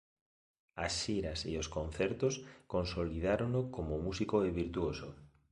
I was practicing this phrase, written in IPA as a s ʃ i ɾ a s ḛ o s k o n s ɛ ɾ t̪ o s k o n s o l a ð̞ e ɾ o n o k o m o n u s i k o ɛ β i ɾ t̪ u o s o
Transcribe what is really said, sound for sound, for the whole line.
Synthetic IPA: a s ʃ i ɾ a s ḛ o s k o n θ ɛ ɾ t̪ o s k o n s o l i ð̞ a ɾ o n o k o m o m u s i k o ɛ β i ɾ t̪ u o s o